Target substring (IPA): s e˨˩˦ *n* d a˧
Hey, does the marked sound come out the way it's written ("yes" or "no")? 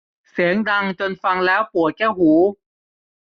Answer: no